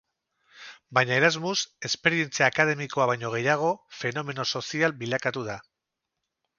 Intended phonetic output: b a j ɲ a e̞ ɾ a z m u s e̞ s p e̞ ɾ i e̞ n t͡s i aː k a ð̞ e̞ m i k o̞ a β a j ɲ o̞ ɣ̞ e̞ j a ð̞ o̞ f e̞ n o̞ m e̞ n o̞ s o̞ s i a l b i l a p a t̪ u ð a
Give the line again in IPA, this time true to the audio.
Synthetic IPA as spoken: b a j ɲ a e̞ ɾ a z m u s e̞ s p e̞ ɾ i e̞ n t͡s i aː k a ð̞ e̞ m i k o̞ a β a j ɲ o̞ ɣ̞ e̞ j a ɣ̞ o̞ f e̞ n o̞ m e̞ n o̞ s o̞ s i a l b i l a k a t̪ u ð a